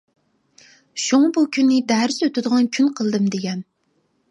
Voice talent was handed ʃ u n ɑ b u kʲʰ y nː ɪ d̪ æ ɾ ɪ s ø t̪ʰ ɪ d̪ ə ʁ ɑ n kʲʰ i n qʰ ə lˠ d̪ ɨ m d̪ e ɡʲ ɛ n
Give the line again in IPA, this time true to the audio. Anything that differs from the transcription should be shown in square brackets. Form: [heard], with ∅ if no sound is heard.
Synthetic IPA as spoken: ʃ u [ŋ] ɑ b u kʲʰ y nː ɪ d̪ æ ɾ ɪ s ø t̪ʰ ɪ d̪ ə ʁ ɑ n kʲʰ [y] n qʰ ə lˠ d̪ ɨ m d̪ e ɡʲ ɛ n